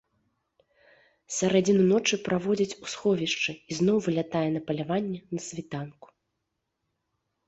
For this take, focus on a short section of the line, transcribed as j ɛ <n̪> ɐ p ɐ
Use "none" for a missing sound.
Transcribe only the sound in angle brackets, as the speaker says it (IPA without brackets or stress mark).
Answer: n̪